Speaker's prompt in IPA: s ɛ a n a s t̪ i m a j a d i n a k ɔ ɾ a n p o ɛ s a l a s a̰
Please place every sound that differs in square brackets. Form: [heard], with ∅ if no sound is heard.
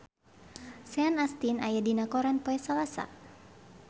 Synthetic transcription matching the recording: s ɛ a n a s t̪ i [n] a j a d i n a k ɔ ɾ a n p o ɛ s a l a s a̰